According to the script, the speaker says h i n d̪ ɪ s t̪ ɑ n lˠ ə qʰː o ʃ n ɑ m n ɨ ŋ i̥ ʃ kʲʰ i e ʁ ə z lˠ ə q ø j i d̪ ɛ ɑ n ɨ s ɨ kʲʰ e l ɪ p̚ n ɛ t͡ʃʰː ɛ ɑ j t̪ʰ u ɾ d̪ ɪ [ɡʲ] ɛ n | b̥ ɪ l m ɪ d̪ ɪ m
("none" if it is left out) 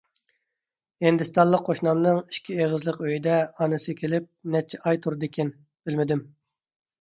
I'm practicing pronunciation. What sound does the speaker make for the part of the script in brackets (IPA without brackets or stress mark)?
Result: kʲ